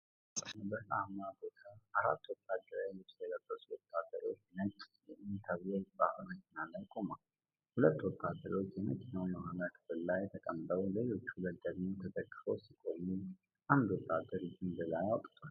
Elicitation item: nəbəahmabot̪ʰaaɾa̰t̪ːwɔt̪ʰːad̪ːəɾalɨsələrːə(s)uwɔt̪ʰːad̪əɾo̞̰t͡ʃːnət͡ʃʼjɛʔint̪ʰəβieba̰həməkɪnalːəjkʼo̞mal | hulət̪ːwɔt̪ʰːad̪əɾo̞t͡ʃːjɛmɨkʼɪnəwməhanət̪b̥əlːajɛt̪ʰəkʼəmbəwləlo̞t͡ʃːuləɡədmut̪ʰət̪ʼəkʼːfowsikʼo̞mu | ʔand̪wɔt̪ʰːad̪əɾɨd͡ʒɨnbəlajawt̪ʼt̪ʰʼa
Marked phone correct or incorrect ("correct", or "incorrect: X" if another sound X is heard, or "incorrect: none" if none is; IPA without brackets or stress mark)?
correct